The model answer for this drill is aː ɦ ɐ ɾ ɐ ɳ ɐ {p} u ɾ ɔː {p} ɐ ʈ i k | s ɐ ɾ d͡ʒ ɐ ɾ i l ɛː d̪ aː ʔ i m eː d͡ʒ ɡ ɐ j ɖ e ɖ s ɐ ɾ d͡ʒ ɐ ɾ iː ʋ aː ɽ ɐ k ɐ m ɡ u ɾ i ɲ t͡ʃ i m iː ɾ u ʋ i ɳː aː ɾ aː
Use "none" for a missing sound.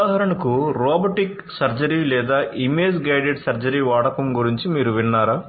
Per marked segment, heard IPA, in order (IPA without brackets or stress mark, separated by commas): k, b